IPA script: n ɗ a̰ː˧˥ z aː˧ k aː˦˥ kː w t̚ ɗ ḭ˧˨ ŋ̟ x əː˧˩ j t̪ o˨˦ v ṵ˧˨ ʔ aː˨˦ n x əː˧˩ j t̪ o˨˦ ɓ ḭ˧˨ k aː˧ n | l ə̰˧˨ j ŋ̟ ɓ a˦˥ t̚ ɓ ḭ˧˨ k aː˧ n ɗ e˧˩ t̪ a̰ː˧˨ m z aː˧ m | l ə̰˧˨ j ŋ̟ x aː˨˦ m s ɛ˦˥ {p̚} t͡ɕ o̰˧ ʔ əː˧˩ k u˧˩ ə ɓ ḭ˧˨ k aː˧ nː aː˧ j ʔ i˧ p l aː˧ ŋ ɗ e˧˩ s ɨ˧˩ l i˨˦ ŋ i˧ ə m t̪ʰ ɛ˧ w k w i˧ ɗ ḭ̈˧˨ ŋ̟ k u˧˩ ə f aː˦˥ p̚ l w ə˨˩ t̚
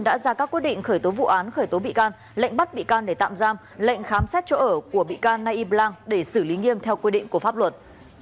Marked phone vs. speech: incorrect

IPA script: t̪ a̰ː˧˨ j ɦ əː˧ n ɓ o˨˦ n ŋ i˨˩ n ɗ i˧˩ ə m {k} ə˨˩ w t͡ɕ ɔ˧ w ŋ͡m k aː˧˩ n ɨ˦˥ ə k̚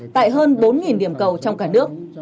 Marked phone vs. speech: correct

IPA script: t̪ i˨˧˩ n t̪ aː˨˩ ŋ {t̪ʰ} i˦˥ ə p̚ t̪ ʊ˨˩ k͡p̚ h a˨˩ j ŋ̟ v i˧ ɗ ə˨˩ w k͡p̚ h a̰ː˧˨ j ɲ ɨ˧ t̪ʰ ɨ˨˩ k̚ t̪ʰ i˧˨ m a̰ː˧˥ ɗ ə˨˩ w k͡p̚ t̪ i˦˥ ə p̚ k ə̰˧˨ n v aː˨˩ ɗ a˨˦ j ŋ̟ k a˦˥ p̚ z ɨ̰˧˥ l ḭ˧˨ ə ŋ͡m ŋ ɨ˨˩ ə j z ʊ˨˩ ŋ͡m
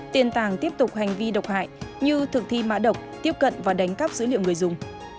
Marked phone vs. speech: incorrect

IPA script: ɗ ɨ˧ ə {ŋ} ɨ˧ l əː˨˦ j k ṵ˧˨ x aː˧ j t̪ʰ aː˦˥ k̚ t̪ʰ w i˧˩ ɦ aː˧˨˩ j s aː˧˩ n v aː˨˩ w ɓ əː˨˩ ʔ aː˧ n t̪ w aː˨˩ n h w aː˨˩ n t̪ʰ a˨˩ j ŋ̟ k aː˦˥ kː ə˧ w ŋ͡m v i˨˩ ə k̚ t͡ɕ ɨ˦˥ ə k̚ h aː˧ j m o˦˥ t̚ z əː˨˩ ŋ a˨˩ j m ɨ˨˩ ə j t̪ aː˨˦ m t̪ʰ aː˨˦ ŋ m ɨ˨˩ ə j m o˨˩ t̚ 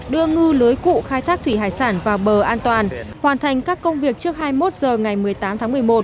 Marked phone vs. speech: correct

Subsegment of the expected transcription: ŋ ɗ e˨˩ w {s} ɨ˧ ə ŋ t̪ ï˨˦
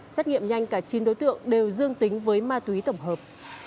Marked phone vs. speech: incorrect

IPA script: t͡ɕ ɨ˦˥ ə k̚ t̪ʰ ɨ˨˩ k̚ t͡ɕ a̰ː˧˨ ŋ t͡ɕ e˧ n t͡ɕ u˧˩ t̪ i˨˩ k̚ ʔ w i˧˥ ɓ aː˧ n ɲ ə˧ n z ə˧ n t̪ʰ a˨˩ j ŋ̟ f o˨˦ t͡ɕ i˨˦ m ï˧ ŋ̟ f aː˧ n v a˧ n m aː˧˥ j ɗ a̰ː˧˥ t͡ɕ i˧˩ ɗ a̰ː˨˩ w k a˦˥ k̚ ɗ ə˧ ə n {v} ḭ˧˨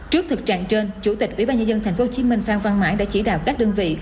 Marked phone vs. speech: correct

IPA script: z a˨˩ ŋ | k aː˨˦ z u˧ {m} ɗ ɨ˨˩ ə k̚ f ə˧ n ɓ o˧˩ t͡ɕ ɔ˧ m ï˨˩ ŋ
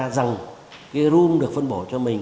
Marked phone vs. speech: correct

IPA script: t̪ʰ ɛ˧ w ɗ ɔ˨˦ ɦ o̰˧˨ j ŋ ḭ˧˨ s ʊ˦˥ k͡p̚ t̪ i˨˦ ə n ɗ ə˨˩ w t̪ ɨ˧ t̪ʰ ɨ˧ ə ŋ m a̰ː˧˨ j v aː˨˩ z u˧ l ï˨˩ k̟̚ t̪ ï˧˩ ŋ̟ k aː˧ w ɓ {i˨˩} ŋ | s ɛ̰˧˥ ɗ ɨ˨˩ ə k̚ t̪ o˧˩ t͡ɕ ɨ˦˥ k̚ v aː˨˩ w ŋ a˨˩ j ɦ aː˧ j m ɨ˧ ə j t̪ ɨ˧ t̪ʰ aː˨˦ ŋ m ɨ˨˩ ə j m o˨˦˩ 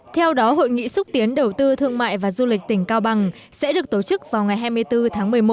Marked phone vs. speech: incorrect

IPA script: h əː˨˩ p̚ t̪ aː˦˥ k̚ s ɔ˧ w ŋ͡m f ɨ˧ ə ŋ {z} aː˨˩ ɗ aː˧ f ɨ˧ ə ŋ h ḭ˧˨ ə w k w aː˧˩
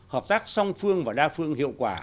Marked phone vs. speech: incorrect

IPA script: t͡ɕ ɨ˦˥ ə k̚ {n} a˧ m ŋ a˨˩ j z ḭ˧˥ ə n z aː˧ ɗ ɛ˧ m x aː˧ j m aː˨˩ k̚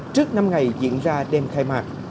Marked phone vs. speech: correct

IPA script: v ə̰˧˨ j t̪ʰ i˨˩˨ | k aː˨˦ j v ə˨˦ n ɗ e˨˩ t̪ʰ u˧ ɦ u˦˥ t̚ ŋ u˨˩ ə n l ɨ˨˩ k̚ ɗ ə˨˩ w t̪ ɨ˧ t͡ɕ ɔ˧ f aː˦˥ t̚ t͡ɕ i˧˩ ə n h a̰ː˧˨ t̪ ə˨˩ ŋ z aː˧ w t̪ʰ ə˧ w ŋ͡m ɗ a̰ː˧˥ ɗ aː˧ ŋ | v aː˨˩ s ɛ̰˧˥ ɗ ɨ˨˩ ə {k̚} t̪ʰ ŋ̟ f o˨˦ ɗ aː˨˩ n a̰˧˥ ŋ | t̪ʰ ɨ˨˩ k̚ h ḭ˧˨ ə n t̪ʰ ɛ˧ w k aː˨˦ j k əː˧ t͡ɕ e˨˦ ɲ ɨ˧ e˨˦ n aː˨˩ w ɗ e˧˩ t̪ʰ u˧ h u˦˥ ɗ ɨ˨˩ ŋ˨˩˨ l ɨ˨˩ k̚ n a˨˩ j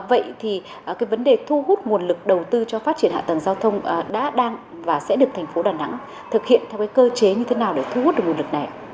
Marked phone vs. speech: correct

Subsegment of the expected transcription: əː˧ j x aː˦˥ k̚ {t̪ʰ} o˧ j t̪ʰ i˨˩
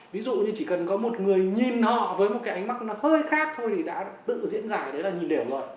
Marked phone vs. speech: correct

